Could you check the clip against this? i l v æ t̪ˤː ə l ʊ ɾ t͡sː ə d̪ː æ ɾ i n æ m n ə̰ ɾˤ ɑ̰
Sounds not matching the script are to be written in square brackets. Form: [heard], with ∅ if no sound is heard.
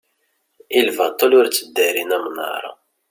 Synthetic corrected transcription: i l v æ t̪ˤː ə l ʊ ɾ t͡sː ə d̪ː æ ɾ i n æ m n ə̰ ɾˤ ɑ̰